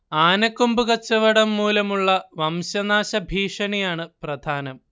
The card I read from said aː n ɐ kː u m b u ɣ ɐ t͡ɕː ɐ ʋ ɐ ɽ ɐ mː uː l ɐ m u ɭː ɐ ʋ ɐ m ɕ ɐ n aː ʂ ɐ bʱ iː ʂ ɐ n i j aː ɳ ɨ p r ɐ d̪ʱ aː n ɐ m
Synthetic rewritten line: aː n ɐ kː u m b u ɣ ɐ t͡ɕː ɐ ʋ ɐ ɽ ɐ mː uː l ɐ m u ɭː ɐ ʋ ɐ m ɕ ɐ n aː ɕ ɐ bʱ iː ʂ ɐ n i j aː ɳ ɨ p r ɐ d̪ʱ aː n ɐ m